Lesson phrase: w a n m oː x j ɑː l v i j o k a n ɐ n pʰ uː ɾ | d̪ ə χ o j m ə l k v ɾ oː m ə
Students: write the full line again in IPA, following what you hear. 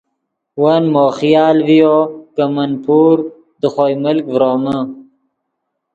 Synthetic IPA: w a n m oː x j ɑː l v i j o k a m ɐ n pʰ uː ɾ | d̪ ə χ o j m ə l k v ɾ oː m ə